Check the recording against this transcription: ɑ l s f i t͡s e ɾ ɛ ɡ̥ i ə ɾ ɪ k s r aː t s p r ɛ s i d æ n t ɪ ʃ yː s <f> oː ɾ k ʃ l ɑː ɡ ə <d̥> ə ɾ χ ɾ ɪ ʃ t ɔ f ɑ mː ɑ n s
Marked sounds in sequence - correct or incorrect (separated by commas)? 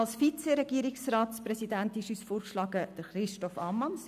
correct, correct